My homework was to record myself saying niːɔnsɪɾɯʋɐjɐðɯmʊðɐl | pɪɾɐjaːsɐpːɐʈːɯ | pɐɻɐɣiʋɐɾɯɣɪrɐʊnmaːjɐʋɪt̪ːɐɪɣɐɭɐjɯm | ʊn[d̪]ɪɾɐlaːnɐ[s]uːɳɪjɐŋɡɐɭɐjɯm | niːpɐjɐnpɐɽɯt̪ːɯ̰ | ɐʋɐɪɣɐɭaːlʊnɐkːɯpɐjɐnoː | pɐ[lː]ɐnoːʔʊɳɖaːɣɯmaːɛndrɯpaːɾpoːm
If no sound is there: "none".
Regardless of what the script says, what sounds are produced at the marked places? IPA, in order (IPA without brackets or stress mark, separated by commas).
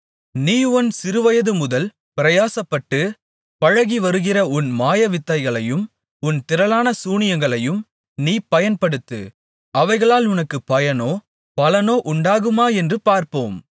t̪, s, l